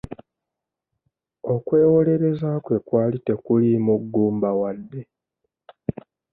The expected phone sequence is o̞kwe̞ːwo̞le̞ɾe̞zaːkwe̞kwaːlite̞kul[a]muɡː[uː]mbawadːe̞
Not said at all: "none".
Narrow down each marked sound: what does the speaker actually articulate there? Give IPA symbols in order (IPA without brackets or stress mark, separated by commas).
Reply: i, uː